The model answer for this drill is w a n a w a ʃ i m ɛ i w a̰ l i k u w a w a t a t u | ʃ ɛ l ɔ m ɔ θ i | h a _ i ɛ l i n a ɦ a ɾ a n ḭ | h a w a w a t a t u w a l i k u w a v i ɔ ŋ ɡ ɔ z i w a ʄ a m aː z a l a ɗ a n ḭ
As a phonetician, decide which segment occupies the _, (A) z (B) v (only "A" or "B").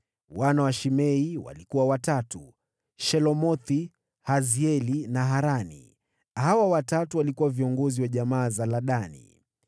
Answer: A